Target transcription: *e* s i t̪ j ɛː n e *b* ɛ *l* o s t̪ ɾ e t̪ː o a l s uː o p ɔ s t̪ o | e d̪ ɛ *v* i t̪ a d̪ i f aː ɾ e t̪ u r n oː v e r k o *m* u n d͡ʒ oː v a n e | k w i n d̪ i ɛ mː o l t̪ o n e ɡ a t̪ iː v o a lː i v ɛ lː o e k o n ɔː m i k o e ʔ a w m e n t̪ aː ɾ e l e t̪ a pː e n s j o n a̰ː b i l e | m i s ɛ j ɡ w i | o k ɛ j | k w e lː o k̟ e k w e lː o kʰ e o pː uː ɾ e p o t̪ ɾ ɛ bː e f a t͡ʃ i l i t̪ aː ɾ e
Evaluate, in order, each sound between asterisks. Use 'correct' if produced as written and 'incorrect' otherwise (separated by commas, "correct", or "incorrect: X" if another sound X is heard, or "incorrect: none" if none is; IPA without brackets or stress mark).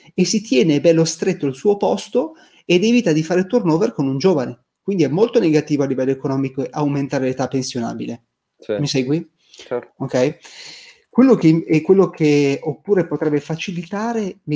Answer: correct, correct, incorrect: lː, correct, incorrect: n